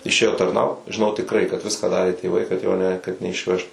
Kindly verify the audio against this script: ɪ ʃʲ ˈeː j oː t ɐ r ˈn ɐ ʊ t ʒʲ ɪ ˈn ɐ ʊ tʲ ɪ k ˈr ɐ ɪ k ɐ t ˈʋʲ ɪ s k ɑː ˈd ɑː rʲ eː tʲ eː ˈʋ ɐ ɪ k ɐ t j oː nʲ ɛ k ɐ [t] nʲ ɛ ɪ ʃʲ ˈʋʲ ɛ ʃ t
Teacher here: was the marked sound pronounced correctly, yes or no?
yes